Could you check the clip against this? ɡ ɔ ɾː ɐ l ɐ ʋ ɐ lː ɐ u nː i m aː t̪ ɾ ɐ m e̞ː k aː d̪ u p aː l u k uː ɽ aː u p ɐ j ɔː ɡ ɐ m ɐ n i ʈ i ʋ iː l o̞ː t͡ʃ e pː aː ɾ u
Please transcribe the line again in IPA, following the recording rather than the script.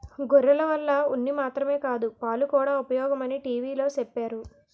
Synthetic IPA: ɡ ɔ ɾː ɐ l ɐ ʋ ɐ lː ɐ u nː i m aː t̪ ɾ ɐ m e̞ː k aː d̪ u p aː l u k uː ɽ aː u p ɐ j ɔː ɡ ɐ m ɐ n i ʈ iː ʋ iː l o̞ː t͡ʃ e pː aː ɾ u